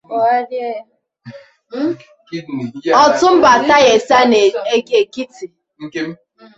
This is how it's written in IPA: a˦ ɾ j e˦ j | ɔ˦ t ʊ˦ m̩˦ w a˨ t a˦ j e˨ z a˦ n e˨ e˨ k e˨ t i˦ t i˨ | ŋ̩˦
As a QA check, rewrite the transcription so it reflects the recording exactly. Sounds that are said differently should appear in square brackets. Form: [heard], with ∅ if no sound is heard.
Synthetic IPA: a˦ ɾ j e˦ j | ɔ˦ t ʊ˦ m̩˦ [b] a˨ t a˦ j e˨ [s] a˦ n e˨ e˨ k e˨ [k] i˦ t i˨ | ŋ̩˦